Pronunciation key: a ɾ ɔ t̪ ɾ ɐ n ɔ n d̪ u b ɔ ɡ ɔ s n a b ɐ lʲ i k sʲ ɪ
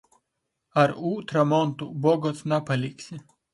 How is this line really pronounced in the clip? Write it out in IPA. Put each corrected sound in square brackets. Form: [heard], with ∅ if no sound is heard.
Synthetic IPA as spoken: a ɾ [u] t̪ ɾ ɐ [m] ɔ n [t̪] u b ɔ ɡ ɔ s n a [p] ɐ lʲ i k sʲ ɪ